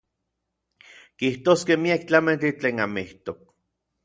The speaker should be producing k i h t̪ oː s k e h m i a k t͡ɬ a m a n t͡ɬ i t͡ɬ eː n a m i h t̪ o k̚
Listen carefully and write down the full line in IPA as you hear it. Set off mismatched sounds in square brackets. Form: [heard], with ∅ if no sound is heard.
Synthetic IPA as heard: k i h t̪ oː s k e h m i a k t͡ɬ a m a n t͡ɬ i t͡ɬ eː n a m i h t̪ o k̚